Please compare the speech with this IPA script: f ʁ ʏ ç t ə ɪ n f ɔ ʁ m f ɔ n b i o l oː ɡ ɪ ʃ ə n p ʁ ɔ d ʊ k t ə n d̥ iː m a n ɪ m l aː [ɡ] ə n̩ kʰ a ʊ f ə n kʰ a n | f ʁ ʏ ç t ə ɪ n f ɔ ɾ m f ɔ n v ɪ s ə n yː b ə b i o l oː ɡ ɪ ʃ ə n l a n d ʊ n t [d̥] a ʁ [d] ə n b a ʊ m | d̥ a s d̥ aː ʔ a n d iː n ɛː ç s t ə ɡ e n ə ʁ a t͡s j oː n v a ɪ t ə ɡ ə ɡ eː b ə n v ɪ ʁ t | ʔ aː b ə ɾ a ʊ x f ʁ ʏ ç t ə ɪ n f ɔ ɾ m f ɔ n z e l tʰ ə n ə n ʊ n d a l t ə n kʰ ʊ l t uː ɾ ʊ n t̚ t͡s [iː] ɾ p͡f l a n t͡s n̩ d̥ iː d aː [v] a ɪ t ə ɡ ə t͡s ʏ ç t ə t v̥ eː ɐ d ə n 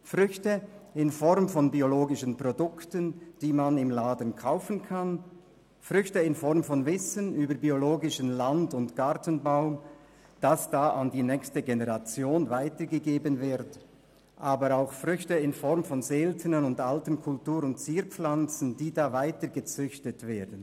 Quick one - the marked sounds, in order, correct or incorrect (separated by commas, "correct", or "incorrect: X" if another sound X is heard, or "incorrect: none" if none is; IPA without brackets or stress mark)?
incorrect: d, incorrect: ɡ̥, incorrect: t, correct, correct